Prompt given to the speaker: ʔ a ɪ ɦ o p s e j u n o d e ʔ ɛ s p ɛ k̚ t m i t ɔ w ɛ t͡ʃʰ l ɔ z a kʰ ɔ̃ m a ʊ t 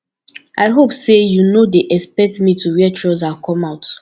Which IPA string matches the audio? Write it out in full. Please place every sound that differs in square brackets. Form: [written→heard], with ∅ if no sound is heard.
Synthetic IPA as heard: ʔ a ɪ ɦ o p s e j u n o d e ʔ ɛ s p ɛ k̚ t m i t [ɔ→u] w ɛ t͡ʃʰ [l→ɹ] ɔ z a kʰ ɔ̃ m a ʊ t